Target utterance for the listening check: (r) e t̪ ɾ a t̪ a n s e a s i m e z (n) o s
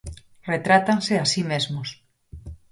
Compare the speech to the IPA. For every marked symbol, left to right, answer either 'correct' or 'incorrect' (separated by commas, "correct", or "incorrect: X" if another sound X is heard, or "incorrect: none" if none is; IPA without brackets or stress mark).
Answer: correct, incorrect: m